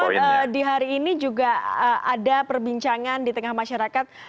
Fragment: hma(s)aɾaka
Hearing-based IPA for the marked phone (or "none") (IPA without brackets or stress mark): ʃ